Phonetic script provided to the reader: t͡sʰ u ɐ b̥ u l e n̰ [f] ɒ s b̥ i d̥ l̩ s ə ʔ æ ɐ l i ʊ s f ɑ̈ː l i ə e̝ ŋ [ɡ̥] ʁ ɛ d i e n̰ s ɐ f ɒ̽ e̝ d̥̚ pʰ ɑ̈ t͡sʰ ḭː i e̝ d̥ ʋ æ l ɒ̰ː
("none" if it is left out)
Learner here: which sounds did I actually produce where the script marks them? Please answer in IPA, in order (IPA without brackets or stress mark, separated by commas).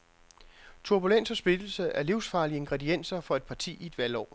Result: s, ɡ̥